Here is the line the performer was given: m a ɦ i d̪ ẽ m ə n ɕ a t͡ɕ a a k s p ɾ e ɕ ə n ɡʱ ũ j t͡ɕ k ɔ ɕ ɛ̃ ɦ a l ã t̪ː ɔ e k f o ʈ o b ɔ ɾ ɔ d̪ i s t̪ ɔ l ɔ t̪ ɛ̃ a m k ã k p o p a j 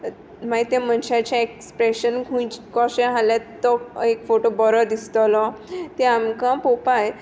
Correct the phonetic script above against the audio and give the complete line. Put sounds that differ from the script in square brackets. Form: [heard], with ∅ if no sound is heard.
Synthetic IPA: m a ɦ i [t̪] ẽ m ə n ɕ a t͡ɕ a [e] k s p ɾ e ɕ ə n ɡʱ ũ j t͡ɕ k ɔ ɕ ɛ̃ ɦ a l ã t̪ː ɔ e k f o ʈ o b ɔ ɾ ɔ d̪ i s t̪ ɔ l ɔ t̪ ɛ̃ a m k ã [∅] p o p a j

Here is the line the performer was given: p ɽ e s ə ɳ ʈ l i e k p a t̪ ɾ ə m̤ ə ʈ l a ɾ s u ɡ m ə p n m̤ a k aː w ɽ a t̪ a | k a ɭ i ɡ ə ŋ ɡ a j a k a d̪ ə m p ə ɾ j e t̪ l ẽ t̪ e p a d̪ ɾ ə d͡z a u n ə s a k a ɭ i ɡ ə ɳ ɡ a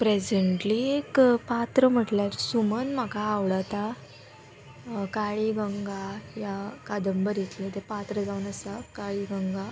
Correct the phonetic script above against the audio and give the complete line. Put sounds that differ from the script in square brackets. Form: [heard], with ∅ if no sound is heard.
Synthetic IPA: p [ɾ] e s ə ɳ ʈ l i e k p a t̪ ɾ ə m̤ ə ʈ l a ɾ s u [∅] m ə [∅] n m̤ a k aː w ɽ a t̪ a | k a ɭ i ɡ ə ŋ ɡ a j a k a d̪ ə m [b] ə ɾ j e t̪ l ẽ t̪ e p a [t̪] ɾ ə d͡z a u n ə s a k a ɭ i ɡ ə [ŋ] ɡ a

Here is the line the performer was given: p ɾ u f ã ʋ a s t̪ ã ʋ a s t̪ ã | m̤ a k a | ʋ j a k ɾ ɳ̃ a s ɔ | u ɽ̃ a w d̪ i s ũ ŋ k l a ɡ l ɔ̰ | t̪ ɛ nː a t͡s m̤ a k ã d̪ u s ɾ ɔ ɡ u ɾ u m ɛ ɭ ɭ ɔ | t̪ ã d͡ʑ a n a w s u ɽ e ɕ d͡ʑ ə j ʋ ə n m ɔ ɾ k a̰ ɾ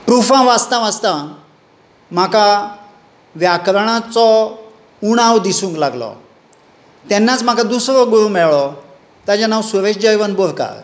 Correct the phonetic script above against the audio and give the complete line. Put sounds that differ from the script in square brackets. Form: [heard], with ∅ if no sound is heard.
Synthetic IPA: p ɾ u f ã ʋ a s t̪ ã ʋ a s t̪ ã | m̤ a k a | ʋ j a k ɾ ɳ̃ a [t͡s] ɔ | u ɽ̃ a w d̪ i s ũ ŋ k l a ɡ l ɔ̰ | t̪ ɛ nː a t͡s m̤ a k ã d̪ u s ɾ ɔ ɡ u ɾ u m ɛ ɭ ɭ ɔ | t̪ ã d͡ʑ a n a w s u [ɾ] e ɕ d͡ʑ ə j ʋ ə n [b] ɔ ɾ k a̰ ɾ

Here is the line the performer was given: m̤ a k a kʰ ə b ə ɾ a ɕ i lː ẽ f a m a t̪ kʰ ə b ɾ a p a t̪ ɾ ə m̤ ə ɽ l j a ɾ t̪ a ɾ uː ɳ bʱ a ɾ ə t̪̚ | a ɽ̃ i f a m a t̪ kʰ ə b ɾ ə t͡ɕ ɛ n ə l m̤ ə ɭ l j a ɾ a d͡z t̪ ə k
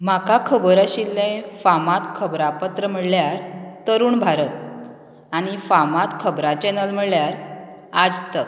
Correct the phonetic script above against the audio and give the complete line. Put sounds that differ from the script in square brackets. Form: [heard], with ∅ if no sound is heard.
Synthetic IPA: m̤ a k a kʰ ə b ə ɾ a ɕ i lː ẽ f a m a t̪ kʰ ə b ɾ a p [ə] t̪ ɾ ə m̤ ə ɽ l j a ɾ t̪ [ə] ɾ uː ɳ bʱ a ɾ ə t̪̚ | a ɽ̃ i f a m a t̪ kʰ ə b ɾ [a] t͡ɕ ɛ n ə l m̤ ə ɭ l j a ɾ a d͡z t̪ ə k

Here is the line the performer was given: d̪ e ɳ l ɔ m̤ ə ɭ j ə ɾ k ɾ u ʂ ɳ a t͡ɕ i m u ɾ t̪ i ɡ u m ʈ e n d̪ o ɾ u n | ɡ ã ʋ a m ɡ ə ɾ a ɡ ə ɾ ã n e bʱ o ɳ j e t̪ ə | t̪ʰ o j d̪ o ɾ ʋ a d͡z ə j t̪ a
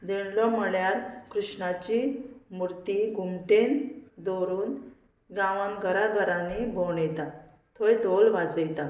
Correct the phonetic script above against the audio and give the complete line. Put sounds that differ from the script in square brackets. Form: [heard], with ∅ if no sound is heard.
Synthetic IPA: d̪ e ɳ l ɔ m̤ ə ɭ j [a] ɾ k ɾ u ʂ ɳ a t͡ɕ i m u ɾ t̪ i ɡ u m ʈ e n d̪ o ɾ [uː] n | ɡ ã ʋ a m ɡ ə ɾ a ɡ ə ɾ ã n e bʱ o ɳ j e t̪ [a] | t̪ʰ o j d̪ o [l] ʋ a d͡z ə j t̪ a

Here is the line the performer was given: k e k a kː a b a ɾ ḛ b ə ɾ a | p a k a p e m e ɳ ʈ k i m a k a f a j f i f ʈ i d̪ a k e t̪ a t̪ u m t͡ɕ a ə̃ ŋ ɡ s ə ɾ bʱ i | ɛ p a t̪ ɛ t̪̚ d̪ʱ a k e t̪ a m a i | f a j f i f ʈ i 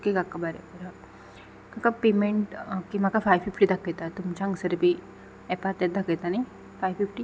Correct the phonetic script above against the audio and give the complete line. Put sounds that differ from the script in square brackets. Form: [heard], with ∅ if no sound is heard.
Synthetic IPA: k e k a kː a b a ɾ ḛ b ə ɾ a | [k] a k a p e m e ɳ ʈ k i m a k a f a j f i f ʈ i d̪ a k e t̪ a t̪ u m t͡ɕ a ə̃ ŋ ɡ s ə ɾ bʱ i | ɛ p a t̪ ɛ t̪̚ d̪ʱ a k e t̪ a [n] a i | f a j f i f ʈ i

